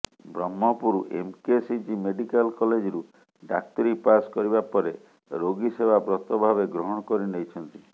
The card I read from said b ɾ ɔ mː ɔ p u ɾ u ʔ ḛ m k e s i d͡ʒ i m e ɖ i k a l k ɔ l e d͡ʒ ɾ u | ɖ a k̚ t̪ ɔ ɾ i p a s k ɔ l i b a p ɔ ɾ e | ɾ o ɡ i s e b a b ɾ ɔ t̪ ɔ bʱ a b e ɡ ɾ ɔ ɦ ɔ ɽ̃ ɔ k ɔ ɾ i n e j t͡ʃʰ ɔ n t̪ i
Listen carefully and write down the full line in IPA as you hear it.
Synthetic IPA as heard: b ɾ ɔ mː ɔ p u ɾ u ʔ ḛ m k e s i d͡ʒ i m e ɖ i k a l k ɔ l e d͡ʒ ɾ u | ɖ a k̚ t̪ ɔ ɾ i p a s k ɔ ɾ i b a p ɔ ɾ e | ɾ o ɡ i s e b a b ɾ ɔ t̪ ɔ bʱ a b e ɡ ɾ ɔ ɦ ɔ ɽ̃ ɔ k ɔ ɾ i n e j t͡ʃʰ ɔ n t̪ i

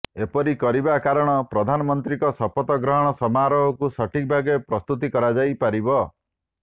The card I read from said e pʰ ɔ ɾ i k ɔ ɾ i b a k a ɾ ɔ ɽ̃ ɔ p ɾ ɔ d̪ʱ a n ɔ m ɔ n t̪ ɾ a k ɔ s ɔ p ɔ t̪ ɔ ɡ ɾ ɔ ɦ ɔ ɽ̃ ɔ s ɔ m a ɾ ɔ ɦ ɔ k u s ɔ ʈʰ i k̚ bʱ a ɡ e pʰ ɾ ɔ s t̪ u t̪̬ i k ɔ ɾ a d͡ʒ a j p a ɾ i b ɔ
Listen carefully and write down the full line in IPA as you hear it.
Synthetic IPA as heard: e p ɔ ɾ i k ɔ ɾ i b a k a ɾ ɔ ɽ̃ ɔ p ɾ ɔ d̪ʱ a n ɔ m ɔ n t̪ ɾ i k ɔ s ɔ p ɔ t̪ ɔ ɡ ɾ ɔ ɦ ɔ ɽ̃ ɔ s ɔ m a ɾ ɔ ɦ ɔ k u s ɔ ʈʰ i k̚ bʱ a ɡ e p ɾ ɔ s t̪ u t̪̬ i k ɔ ɾ a d͡ʒ a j p a ɾ i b ɔ

